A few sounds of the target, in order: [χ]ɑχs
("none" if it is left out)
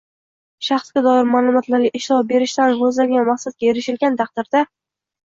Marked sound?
ʃ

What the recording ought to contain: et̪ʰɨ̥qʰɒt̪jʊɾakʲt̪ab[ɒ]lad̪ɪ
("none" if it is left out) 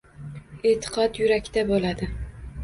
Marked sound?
o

